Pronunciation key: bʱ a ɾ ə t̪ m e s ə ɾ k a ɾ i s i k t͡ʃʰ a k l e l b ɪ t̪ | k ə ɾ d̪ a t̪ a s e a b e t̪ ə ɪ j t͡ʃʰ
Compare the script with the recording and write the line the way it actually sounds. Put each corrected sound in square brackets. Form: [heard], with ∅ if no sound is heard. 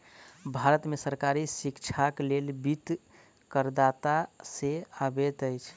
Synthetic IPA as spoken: bʱ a ɾ ə t̪ m e s ə ɾ k a ɾ i s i k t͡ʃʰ a k l e l b [i] t̪ | k ə ɾ d̪ a t̪ a s e a b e t̪ ə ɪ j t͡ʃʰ